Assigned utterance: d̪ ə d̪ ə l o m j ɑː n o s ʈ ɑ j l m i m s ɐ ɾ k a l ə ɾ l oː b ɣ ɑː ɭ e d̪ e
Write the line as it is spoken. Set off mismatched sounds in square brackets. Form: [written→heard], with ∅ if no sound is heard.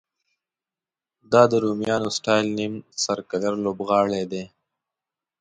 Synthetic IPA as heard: d̪ [ə→ɑ] d̪ ə [l→ɾ] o m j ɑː n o s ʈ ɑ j l [m→n] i m s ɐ ɾ k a l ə ɾ l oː b ɣ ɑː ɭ e d̪ e